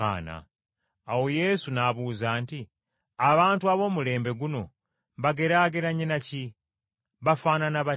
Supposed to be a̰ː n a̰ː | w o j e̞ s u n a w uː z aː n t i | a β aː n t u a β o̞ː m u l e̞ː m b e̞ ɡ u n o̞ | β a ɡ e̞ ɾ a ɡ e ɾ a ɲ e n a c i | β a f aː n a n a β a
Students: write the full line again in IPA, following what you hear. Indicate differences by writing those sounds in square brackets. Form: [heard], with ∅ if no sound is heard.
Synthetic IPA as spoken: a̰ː n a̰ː | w o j e̞ s u n a [β] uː z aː n t i | a β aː n t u a β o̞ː m u l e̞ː m b e̞ ɡ u n o̞ | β a ɡ e̞ ɾ a ɡ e ɾ a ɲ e n a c i | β a f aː n a n a β a